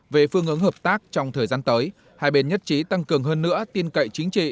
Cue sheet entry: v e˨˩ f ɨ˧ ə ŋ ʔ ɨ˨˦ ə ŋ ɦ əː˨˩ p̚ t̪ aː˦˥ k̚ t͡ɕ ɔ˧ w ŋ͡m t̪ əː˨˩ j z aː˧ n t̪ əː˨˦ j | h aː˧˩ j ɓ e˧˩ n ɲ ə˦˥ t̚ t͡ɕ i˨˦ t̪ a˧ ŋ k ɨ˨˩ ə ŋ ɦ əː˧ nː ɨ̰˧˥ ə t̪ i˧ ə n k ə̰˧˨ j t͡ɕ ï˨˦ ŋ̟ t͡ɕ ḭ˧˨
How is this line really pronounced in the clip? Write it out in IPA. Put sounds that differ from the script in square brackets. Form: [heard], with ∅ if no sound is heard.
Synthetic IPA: v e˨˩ f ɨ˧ ə ŋ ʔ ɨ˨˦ ə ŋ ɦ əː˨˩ p̚ t̪ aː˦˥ k̚ t͡ɕ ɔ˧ w ŋ͡m [t̪ʰ] əː˨˩ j z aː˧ n t̪ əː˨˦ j | h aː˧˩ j ɓ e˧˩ n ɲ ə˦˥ t̚ t͡ɕ i˨˦ t̪ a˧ ŋ k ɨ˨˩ ə ŋ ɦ əː˧ nː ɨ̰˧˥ ə t̪ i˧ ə n k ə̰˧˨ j t͡ɕ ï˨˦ ŋ̟ t͡ɕ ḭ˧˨